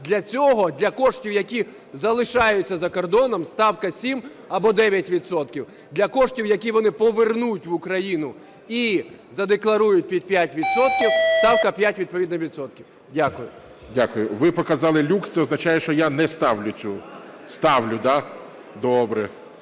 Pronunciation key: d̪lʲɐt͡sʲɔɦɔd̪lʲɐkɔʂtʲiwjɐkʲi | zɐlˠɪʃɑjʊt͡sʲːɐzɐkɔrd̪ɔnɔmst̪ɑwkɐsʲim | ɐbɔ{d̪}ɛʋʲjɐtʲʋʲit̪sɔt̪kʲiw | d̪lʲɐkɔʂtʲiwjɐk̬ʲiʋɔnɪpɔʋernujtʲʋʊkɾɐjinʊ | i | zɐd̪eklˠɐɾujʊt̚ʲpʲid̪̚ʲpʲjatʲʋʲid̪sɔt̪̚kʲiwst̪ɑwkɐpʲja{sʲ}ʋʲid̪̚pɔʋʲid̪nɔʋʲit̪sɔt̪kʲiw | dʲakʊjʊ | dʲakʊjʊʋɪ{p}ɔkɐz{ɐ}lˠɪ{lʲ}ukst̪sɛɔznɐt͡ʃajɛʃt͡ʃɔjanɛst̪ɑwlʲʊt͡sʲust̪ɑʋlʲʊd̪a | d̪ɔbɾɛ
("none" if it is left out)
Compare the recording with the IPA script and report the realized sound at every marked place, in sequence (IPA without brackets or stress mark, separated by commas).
d̪, tʲ, p, ɑ, lʲ